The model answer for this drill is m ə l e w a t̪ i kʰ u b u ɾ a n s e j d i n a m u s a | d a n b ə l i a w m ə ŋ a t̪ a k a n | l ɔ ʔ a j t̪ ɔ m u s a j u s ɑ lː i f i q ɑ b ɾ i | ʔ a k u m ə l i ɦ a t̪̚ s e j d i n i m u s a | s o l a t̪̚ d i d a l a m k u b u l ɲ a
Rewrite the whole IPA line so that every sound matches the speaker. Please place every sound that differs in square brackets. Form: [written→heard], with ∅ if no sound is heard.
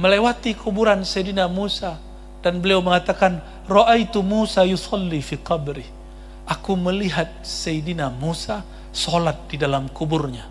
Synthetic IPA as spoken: m ə l e w a t̪ i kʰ u b u ɾ a n s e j d i n a m u s a | d a n b ə l i a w m ə ŋ a t̪ a k a n | [l→r] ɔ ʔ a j t̪ [ɔ→u] m u s a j u s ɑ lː i f i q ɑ b ɾ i | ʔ a k u m ə l i ɦ a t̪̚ s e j d i n [i→a] m u s a | s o l a t̪̚ d i d a l a m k u b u [l→r] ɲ a